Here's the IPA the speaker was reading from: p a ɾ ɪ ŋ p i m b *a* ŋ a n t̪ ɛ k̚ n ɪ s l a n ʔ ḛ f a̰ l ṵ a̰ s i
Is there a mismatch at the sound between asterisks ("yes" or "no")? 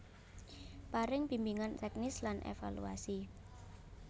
yes